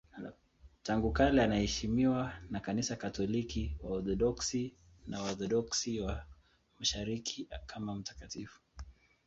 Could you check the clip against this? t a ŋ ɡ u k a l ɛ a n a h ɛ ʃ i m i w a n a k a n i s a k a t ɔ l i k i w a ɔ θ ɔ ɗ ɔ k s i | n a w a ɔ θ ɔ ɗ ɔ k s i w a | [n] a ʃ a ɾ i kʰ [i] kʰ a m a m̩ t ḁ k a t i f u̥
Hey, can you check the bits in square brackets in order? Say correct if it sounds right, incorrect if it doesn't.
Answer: incorrect: m, correct

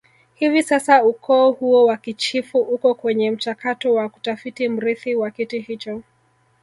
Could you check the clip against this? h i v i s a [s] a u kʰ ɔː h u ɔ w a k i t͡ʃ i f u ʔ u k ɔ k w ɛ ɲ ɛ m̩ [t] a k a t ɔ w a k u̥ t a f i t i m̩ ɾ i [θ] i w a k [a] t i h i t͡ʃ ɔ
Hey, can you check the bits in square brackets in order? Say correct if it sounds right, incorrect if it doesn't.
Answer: correct, incorrect: t͡ʃ, correct, incorrect: i

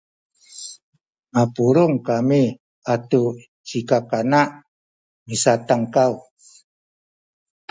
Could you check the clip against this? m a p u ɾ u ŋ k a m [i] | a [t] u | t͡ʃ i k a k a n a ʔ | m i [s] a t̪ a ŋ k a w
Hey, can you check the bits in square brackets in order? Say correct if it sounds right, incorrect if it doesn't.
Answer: correct, correct, correct

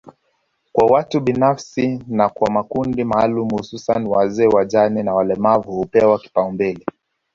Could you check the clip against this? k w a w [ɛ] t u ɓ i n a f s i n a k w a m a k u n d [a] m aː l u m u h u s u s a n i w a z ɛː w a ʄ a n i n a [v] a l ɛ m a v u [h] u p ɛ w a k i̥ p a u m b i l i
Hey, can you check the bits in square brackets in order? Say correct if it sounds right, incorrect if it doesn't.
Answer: incorrect: a, incorrect: i, incorrect: w, correct

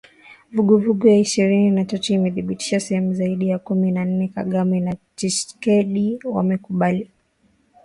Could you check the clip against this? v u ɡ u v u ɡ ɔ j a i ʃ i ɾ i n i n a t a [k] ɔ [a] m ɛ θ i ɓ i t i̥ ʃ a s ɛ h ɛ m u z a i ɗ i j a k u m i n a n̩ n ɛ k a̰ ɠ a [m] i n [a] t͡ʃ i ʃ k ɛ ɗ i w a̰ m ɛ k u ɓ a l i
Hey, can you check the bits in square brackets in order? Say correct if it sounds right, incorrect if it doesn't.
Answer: incorrect: t, incorrect: i, correct, correct

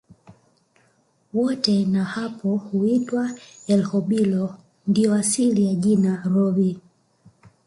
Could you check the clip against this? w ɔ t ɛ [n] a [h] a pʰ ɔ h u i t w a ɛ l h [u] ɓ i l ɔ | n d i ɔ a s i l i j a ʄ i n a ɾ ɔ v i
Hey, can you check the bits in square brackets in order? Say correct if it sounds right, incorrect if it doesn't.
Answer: correct, correct, incorrect: ɔ

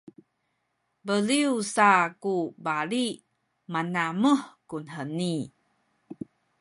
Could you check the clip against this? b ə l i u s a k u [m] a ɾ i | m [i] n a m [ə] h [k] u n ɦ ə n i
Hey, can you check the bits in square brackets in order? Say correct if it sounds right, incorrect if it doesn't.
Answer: incorrect: b, incorrect: a, correct, correct

